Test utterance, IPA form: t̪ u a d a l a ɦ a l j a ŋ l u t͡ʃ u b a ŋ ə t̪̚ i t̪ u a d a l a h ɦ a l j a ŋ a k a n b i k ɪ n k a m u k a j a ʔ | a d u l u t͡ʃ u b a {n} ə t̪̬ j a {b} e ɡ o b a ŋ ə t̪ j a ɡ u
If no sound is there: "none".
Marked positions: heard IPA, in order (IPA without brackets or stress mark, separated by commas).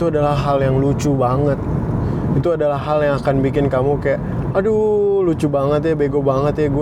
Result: ŋ, b